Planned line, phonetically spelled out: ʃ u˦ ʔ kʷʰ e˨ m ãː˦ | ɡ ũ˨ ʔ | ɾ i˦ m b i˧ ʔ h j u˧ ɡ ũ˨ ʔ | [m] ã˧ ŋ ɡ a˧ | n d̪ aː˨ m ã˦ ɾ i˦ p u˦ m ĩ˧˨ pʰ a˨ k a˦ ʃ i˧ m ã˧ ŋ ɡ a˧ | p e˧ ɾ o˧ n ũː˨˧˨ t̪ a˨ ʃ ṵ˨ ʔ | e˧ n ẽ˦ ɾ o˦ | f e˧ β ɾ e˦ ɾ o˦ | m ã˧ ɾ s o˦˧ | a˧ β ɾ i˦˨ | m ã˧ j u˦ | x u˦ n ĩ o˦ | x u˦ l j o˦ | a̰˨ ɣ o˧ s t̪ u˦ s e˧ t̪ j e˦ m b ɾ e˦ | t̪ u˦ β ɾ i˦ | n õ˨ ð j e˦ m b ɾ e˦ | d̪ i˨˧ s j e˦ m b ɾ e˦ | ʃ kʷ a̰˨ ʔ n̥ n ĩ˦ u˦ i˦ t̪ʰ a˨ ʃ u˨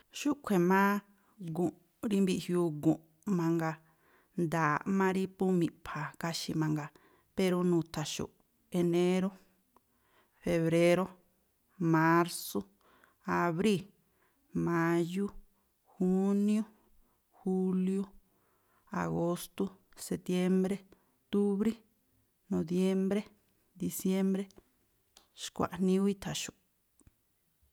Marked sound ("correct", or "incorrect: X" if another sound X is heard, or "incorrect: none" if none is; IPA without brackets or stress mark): correct